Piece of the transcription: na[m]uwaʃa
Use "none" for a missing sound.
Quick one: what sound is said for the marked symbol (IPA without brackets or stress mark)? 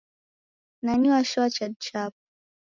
ɲ